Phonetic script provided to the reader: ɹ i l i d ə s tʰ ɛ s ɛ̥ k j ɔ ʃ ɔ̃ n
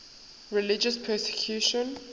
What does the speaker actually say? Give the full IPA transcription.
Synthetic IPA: ɹ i l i d͡ʒ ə s pʰ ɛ s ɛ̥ kʰ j u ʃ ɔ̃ n